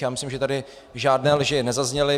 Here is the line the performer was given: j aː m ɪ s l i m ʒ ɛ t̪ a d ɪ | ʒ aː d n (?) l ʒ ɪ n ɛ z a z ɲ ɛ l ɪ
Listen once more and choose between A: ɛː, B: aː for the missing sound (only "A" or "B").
A